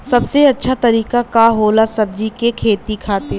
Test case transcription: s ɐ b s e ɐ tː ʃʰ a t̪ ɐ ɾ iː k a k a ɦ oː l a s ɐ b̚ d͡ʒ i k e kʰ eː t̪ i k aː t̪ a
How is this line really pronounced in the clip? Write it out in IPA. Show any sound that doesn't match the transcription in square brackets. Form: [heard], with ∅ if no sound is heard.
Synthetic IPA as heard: s ɐ b s e ɐ tː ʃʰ a t̪ ɐ ɾ iː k a k a ɦ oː l a s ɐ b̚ d͡ʒ i k e kʰ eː t̪ i [kʰ] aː t̪ [e]